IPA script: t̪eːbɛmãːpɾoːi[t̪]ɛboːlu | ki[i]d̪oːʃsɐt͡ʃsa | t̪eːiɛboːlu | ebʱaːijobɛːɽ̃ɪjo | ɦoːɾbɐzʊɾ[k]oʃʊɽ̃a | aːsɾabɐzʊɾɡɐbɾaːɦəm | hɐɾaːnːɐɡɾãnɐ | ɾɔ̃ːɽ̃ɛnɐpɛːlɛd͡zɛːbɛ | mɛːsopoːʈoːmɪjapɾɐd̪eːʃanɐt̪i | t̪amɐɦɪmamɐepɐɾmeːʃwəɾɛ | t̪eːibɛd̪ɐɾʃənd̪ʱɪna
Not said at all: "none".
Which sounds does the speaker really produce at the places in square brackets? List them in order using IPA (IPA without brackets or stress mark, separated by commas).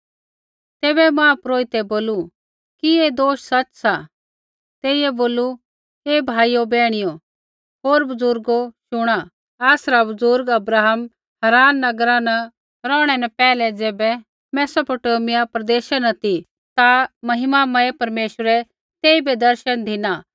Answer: t̪, e, ɡ